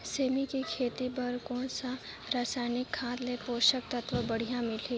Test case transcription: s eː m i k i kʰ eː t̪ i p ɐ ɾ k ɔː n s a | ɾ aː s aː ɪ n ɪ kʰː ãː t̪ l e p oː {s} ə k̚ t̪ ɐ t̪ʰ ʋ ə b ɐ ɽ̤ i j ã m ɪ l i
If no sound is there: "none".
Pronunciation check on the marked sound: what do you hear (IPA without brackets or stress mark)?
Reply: ʃ